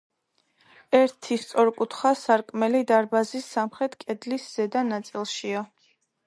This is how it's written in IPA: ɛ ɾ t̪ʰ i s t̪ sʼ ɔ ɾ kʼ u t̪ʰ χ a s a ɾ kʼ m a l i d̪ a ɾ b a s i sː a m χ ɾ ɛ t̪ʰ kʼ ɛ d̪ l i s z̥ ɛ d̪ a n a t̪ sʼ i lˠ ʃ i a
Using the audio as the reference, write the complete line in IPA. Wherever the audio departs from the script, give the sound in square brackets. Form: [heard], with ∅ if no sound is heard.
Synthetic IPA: ɛ ɾ t̪ʰ i s t̪ sʼ ɔ ɾ kʼ u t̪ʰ χ a s a ɾ kʼ m [ɛ] l i d̪ a ɾ b a [z] i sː a m χ ɾ ɛ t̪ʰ kʼ ɛ d̪ l i s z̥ ɛ d̪ a n a t̪ sʼ i lˠ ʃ i a

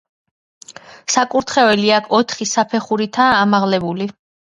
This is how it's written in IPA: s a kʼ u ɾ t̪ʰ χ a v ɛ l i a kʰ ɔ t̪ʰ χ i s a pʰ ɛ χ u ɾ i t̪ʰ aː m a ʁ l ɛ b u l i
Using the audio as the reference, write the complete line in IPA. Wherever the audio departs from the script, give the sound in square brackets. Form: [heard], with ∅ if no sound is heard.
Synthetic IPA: s a kʼ u ɾ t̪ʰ χ [ɛ] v ɛ l i a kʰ ɔ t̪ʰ χ i s a pʰ ɛ χ u ɾ i t̪ʰ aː m a ʁ l ɛ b u l i

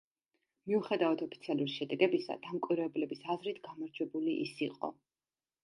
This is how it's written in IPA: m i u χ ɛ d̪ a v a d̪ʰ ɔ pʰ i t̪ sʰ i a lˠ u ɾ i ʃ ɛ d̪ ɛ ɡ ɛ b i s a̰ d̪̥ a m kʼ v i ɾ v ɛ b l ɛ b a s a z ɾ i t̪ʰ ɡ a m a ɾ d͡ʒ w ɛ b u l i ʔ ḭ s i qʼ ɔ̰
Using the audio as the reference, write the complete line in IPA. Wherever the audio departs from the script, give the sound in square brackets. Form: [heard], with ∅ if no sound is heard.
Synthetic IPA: m i u χ ɛ d̪ a v a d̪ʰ ɔ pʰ i t̪ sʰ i a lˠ u ɾ i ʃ ɛ d̪ ɛ ɡ ɛ b i s a̰ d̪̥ a m kʼ [w] i ɾ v ɛ b l ɛ b [i] s a z ɾ i t̪ʰ ɡ a m a ɾ d͡ʒ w ɛ b u l i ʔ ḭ s i qʼ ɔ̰

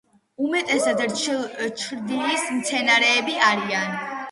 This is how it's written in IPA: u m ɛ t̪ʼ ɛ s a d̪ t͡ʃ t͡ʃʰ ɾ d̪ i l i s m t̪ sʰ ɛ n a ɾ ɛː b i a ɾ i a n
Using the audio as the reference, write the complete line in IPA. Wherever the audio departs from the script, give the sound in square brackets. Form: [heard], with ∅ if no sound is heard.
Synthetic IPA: u m ɛ t̪ʼ ɛ s a d̪ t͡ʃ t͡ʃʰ ɾ d̪ i l i s m t̪ sʰ ɛ n a ɾ ɛː b i a ɾ i a n

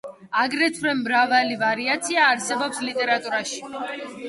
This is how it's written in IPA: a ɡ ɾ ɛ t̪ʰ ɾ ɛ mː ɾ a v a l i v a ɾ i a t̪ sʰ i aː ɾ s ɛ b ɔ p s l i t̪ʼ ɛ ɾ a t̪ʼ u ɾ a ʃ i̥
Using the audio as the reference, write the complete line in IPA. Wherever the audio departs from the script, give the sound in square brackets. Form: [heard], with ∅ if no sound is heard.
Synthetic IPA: a ɡ ɾ ɛ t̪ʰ ɾ ɛ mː ɾ a v a l i v a ɾ i a t̪ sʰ i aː ɾ s ɛ b ɔ p s l i t̪ʼ ɛ ɾ a t̪ʼ u ɾ a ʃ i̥

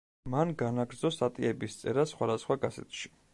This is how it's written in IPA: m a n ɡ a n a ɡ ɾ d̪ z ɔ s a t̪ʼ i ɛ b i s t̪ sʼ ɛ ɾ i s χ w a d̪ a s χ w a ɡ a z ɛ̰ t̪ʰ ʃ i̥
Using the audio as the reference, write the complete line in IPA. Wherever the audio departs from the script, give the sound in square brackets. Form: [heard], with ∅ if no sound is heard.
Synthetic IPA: m a n ɡ a n a ɡ ɾ d̪ z ɔ s a t̪ʼ i ɛ b i s t̪ sʼ ɛ ɾ [a] s χ w a d̪ a s χ w a ɡ a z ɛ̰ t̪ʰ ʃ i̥

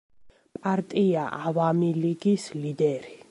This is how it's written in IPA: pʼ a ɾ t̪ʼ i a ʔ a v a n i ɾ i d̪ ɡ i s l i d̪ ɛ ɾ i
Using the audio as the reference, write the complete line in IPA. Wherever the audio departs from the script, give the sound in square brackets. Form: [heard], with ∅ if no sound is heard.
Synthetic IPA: pʼ a ɾ t̪ʼ i a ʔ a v a [m] i [l] i [∅] ɡ i s l i d̪ ɛ ɾ i

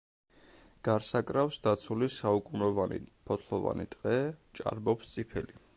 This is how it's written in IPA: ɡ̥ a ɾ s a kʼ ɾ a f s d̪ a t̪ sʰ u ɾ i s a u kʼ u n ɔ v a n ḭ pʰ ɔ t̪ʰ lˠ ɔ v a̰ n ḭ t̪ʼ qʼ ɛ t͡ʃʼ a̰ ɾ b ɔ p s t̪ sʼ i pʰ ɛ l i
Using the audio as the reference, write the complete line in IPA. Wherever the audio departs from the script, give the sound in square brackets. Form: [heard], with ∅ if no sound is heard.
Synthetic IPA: ɡ̥ a ɾ s a kʼ ɾ a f s d̪ a t̪ sʰ u [l] i s a u kʼ u n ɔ v a n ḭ pʰ ɔ t̪ʰ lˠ ɔ v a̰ n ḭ t̪ʼ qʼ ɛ t͡ʃʼ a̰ ɾ b ɔ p s t̪ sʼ i pʰ ɛ l i

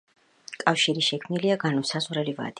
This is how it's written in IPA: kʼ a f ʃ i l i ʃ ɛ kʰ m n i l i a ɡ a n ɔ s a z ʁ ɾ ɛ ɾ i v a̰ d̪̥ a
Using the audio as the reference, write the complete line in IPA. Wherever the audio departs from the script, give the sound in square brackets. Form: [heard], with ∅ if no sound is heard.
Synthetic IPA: kʼ a f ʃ i [ɾ] i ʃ ɛ kʰ m n i l i a ɡ a n ɔ s a z ʁ ɾ ɛ [l] i v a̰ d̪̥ [i]

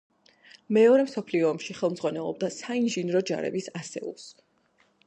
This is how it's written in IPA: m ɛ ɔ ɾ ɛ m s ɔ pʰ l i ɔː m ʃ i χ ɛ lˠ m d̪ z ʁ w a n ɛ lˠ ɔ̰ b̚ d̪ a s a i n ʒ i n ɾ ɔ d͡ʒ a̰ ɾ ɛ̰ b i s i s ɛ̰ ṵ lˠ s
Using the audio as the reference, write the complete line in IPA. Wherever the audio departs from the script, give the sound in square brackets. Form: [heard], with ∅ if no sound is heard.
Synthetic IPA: m ɛ ɔ ɾ ɛ m s ɔ pʰ l i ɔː m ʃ i χ ɛ lˠ m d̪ z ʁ w a n ɛ lˠ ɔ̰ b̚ d̪ a s a i n ʒ i n ɾ ɔ d͡ʒ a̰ ɾ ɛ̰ b i s [a] s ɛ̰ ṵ lˠ s

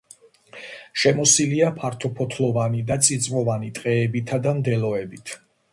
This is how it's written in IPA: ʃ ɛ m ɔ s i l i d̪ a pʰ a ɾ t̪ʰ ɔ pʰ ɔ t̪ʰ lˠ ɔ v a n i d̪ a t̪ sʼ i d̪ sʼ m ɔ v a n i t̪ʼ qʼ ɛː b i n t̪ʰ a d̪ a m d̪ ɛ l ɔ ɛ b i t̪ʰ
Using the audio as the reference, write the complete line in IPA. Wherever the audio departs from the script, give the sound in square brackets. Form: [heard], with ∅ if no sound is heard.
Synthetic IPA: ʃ ɛ m ɔ s i l i [∅] a pʰ a ɾ t̪ʰ ɔ pʰ ɔ t̪ʰ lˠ ɔ v a n i d̪ a t̪ sʼ i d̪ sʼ m ɔ v a n i t̪ʼ qʼ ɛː b i [∅] t̪ʰ a d̪ a m d̪ ɛ l ɔ ɛ b i t̪ʰ

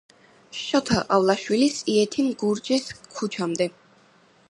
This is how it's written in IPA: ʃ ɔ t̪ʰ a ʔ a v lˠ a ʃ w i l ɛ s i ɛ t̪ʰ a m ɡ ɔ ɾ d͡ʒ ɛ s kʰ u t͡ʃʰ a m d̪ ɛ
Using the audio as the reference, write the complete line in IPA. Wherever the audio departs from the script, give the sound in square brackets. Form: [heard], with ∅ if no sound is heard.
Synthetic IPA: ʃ ɔ t̪ʰ a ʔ a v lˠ a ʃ w i l [i] s i ɛ t̪ʰ [i] m ɡ [u] ɾ d͡ʒ ɛ s kʰ u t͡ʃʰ a m d̪ ɛ

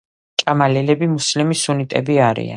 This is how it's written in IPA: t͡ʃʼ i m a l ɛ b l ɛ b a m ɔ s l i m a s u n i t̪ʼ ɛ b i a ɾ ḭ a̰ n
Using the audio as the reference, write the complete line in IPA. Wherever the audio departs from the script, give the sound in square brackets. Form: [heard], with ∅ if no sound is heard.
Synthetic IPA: t͡ʃʼ [a] m a l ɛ [∅] l ɛ b [i] m [u] s l i m [i] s u n i t̪ʼ ɛ b i a ɾ ḭ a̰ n

